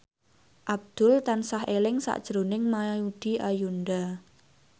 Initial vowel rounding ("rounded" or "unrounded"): unrounded